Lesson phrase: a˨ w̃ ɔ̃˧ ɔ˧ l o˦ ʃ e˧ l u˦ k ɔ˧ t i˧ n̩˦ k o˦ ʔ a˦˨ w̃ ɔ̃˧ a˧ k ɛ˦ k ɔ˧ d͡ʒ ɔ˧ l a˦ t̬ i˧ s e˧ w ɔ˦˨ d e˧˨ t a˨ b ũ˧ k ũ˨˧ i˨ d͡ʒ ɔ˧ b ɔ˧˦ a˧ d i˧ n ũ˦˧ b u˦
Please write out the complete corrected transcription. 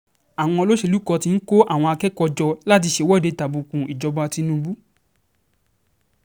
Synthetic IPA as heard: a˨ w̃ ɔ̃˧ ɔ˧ l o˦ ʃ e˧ l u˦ k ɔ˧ t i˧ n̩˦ k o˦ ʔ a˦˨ w̃ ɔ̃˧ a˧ k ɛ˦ k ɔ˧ d͡ʒ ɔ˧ l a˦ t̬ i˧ ʃ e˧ w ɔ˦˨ d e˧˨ t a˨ b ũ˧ k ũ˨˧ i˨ d͡ʒ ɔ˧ b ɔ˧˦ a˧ t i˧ n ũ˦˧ b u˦